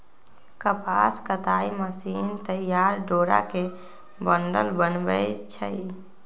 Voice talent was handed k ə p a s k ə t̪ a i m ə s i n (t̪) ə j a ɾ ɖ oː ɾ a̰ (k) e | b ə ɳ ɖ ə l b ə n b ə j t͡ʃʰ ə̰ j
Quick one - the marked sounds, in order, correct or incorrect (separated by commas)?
correct, correct